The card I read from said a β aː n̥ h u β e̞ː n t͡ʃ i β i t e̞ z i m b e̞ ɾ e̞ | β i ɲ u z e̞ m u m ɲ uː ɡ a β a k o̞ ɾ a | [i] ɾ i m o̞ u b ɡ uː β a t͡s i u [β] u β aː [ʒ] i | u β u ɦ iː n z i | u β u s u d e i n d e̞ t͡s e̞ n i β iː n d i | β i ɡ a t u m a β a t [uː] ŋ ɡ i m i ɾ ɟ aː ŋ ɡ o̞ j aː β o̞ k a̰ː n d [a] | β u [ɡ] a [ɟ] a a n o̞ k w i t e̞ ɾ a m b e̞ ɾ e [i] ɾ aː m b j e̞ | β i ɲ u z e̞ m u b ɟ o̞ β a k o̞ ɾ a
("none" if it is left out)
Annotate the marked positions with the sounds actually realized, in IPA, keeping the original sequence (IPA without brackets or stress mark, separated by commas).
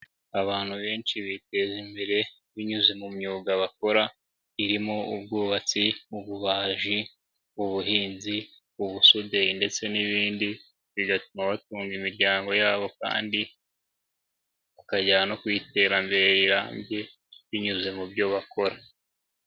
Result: i, β, ʒ, uː, i, k, ɟ, i